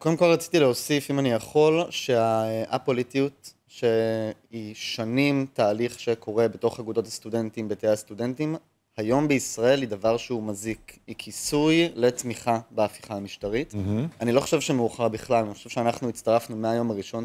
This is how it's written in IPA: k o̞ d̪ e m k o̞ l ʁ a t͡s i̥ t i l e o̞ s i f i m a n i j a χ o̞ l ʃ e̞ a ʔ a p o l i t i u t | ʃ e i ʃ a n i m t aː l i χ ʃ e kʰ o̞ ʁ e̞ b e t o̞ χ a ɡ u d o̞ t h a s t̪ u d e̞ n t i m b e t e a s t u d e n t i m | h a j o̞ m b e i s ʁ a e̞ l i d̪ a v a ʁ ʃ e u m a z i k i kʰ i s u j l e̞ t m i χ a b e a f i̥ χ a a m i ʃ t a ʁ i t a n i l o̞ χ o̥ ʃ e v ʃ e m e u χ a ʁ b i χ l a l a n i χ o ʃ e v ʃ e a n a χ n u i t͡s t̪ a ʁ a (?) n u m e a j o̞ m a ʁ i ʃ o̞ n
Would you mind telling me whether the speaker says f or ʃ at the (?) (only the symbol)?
f